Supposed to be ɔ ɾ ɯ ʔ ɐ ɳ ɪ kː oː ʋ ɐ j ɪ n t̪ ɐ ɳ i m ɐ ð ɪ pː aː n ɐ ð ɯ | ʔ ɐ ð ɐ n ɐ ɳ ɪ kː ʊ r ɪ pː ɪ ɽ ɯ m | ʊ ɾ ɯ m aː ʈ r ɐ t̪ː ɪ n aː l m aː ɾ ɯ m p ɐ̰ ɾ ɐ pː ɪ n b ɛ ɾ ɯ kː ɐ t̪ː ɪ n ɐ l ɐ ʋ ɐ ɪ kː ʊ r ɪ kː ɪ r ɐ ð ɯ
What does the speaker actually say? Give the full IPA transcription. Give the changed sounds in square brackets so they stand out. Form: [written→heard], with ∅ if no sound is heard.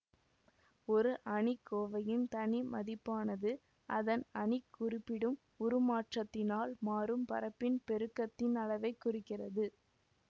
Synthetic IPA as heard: ɔ ɾ ɯ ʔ ɐ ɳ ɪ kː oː ʋ ɐ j ɪ n t̪ ɐ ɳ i m ɐ ð ɪ pː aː n ɐ ð ɯ | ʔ ɐ ð ɐ n ɐ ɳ ɪ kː ʊ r ɪ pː ɪ ɽ ɯ m | ʊ ɾ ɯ m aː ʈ r ɐ t̪ː ɪ n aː l m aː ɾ ɯ m p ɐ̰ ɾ ɐ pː ɪ n [b→p] ɛ ɾ ɯ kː ɐ t̪ː ɪ n ɐ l ɐ ʋ ɐ ɪ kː ʊ r ɪ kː ɪ r ɐ ð ɯ

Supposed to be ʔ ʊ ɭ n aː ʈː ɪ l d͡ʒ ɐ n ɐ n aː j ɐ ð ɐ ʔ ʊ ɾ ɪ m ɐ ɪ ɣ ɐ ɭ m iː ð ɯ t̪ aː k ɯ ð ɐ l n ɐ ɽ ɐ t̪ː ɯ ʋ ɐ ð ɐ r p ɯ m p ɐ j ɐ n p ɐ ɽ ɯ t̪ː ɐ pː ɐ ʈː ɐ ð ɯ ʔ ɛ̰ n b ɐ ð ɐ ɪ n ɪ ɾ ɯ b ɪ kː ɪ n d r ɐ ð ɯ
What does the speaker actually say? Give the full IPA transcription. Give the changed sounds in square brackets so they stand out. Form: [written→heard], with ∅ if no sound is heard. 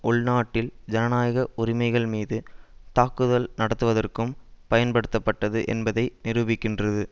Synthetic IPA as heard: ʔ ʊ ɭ n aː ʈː ɪ l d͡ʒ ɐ n ɐ n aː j ɐ [ð→ɣ] ɐ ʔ ʊ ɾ ɪ m ɐ ɪ ɣ ɐ ɭ m iː ð ɯ t̪ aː k ɯ ð ɐ l n ɐ ɽ ɐ t̪ː ɯ ʋ ɐ ð ɐ r [p→k] ɯ m p ɐ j ɐ n p ɐ ɽ ɯ t̪ː ɐ pː ɐ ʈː ɐ ð ɯ ʔ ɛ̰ n b ɐ ð ɐ ɪ n ɪ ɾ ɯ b ɪ kː ɪ n d r ɐ ð ɯ

